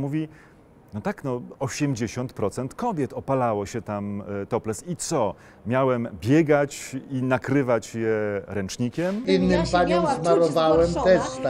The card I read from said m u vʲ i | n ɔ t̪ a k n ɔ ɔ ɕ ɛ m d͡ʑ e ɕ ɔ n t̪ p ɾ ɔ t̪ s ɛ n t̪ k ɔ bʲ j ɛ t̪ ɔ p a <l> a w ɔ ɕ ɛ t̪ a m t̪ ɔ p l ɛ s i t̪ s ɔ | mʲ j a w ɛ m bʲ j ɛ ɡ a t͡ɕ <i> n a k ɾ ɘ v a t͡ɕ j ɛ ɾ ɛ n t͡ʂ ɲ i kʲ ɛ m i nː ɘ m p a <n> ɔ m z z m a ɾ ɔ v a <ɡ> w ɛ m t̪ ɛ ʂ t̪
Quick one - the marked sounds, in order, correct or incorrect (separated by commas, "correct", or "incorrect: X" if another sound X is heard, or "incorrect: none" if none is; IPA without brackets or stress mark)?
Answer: correct, correct, incorrect: ɲ, incorrect: none